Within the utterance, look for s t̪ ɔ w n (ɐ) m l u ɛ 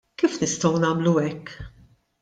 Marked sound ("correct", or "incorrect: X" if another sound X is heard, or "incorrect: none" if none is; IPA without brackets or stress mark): incorrect: ɐː